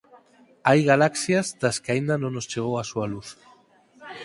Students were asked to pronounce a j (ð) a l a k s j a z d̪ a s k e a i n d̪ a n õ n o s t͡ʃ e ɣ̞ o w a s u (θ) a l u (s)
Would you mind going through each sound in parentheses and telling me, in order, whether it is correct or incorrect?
incorrect, incorrect, incorrect

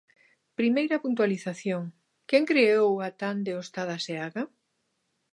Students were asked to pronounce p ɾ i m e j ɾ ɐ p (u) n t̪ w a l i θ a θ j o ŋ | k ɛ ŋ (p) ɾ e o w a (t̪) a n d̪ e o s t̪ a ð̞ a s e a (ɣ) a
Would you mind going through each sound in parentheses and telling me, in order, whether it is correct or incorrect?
correct, incorrect, correct, correct

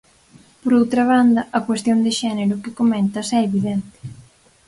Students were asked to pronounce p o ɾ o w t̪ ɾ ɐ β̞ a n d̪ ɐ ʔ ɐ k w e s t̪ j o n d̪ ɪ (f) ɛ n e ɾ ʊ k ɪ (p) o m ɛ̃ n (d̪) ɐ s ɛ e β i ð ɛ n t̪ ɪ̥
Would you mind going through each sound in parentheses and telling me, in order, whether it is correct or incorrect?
incorrect, incorrect, incorrect

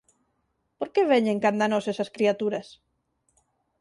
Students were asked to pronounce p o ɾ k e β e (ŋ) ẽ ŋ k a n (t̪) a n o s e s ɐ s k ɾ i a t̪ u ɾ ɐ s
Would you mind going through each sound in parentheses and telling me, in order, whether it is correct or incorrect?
incorrect, incorrect

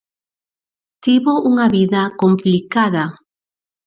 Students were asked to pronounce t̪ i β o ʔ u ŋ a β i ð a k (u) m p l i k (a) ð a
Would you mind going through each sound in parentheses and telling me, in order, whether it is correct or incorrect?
incorrect, correct

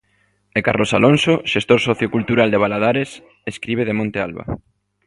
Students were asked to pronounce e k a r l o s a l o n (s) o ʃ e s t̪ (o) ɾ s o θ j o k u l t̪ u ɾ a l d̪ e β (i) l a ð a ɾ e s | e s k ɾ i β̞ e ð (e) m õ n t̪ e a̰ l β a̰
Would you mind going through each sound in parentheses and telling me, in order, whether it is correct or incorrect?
correct, correct, incorrect, correct

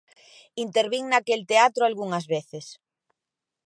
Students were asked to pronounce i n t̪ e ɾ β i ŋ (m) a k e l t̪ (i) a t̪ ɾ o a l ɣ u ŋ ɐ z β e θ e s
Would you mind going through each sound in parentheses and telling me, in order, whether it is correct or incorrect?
incorrect, incorrect

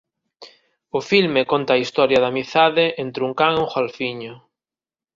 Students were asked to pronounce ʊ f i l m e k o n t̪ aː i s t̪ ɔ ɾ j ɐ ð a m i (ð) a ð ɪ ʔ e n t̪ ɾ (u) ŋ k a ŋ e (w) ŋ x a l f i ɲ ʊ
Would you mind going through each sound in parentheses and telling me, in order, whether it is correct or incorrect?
incorrect, correct, incorrect

